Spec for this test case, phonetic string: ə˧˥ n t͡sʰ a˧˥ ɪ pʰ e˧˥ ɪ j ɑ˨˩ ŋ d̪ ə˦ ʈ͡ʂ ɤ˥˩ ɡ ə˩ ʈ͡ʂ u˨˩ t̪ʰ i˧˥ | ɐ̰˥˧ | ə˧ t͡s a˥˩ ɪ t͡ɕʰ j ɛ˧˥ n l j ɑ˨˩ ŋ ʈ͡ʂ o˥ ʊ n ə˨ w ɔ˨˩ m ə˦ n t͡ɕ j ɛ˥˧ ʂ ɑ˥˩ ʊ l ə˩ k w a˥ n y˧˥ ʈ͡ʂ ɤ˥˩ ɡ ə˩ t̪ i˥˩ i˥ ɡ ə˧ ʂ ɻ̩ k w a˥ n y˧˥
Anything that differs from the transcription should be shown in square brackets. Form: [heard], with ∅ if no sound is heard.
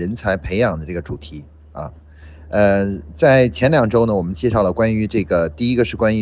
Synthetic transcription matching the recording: ə˧˥ n t͡sʰ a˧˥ ɪ pʰ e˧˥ ɪ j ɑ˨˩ ŋ d̪ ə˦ ʈ͡ʂ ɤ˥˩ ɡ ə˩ ʈ͡ʂ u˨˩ t̪ʰ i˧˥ | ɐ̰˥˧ | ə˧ t͡s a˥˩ ɪ t͡ɕʰ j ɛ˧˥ n l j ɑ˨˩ ŋ ʈ͡ʂ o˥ ʊ n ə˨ w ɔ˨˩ m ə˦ n t͡ɕ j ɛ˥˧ ʂ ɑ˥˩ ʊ l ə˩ k w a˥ n y˧˥ ʈ͡ʂ ɤ˥˩ ɡ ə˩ t̪ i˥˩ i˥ ɡ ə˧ ʂ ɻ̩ k w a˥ n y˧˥